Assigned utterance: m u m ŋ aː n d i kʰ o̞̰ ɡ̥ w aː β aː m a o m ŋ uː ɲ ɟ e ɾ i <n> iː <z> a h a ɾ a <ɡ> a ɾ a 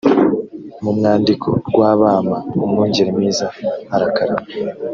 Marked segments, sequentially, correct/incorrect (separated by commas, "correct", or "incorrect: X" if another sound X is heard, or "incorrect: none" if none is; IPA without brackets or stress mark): incorrect: m, correct, incorrect: k